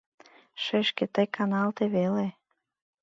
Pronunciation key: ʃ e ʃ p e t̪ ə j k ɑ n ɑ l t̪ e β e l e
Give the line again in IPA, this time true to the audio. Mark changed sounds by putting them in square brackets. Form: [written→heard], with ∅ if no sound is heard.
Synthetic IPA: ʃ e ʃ [p→k] e t̪ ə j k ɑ n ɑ l t̪ e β e l e